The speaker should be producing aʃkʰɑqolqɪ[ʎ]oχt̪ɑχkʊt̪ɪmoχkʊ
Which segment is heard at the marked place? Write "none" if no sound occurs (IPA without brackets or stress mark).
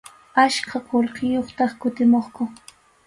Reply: j